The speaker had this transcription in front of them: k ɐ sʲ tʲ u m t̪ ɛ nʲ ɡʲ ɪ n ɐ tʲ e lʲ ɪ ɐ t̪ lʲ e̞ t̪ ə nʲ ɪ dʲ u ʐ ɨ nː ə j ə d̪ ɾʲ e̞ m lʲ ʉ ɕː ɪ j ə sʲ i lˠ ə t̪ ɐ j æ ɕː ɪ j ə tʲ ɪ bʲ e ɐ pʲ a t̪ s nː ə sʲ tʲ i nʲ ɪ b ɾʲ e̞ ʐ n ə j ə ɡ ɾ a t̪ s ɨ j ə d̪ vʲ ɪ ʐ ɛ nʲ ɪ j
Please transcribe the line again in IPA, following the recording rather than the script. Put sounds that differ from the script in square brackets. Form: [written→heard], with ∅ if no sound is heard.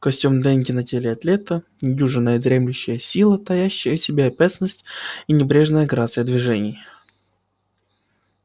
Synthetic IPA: k ɐ sʲ tʲ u m [t̪→d̪] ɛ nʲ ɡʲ ɪ n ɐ tʲ e lʲ ɪ ɐ t̪ lʲ e̞ t̪ ə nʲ ɪ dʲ u ʐ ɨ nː ə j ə d̪ ɾʲ e̞ m lʲ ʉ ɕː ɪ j ə sʲ i lˠ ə t̪ ɐ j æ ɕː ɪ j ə [tʲ→sʲ] ɪ bʲ e ɐ pʲ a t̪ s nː ə sʲ tʲ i nʲ ɪ b ɾʲ e̞ ʐ n ə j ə ɡ ɾ a t̪ s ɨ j ə d̪ vʲ ɪ ʐ ɛ nʲ ɪ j